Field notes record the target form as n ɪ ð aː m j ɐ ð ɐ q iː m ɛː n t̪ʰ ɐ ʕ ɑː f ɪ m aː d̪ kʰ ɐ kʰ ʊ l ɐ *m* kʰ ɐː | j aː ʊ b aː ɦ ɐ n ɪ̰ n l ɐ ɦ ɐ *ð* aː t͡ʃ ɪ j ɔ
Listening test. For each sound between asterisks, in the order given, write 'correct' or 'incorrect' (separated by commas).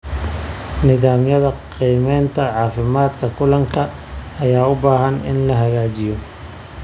incorrect, incorrect